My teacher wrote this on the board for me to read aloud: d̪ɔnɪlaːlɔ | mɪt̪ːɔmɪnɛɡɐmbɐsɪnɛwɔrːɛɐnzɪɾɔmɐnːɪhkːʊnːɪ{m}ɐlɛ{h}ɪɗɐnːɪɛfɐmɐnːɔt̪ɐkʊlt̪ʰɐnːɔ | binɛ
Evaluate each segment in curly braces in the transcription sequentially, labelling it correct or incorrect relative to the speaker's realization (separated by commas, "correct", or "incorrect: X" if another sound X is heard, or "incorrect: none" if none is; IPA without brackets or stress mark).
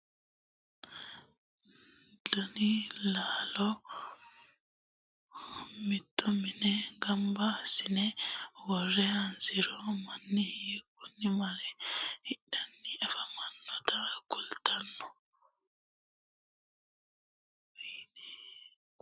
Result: correct, correct